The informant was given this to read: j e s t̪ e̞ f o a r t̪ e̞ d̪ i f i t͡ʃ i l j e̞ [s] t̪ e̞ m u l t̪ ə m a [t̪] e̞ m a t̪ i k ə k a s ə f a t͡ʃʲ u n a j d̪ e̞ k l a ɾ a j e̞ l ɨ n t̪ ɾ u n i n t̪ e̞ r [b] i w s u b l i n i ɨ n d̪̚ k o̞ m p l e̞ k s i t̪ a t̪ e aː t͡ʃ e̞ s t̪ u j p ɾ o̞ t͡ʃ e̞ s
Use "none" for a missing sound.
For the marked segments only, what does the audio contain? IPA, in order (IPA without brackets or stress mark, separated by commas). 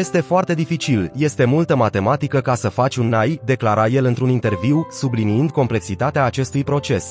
s, t̪, v